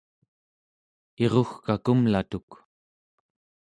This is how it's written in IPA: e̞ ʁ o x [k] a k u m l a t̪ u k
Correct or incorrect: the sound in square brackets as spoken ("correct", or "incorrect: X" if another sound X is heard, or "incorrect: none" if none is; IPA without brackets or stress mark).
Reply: correct